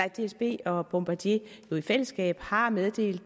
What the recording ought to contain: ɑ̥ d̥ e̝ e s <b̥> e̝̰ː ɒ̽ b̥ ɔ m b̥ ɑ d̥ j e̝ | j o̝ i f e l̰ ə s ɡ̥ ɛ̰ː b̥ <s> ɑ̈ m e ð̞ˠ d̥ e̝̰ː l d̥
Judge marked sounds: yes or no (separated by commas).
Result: yes, no